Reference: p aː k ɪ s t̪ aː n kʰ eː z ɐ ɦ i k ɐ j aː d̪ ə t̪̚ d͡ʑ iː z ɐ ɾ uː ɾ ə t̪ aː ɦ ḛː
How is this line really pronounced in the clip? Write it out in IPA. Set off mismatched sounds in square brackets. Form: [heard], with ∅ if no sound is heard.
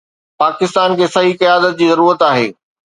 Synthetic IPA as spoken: p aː k ɪ s t̪ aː n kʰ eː [s] ɐ ɦ i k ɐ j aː d̪ ə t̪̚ d͡ʑ iː z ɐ ɾ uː ɾ ə t̪ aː ɦ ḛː